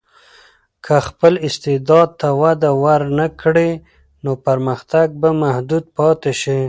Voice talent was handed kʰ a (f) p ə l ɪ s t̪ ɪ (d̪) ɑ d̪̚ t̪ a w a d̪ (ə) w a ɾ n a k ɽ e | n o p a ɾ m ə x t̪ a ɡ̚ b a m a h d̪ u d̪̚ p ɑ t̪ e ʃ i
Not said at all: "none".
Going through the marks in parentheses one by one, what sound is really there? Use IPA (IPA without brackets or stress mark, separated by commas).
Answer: x, d̪, a